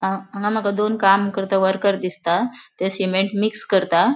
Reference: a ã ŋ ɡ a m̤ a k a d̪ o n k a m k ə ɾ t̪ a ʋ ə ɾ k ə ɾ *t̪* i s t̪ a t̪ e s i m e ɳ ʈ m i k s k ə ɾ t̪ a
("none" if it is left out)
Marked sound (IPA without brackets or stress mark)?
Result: d̪